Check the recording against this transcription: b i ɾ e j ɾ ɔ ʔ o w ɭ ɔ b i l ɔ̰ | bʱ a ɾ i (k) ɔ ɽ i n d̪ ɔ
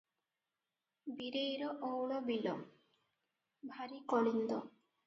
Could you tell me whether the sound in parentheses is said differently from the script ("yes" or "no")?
no